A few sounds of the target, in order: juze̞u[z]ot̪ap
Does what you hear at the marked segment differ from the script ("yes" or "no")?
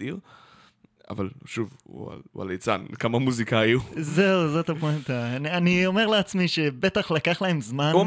no